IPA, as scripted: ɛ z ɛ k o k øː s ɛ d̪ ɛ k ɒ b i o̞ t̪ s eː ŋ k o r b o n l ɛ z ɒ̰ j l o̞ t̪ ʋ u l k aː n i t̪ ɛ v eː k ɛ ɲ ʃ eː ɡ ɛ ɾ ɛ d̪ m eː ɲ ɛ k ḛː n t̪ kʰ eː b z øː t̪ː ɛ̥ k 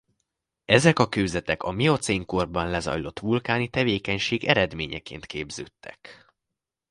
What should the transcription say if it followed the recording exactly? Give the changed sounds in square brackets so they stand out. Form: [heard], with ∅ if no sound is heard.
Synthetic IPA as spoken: ɛ z ɛ k [ɒ] k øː [z] ɛ [t̪] ɛ k ɒ [m] i o̞ t̪ s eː ŋ k o r b [ɒ] n l ɛ z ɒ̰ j l o̞ t̪ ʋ u l k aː n i t̪ ɛ v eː k ɛ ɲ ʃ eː ɡ ɛ ɾ ɛ d̪ m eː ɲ ɛ k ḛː n t̪ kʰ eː b z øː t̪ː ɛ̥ k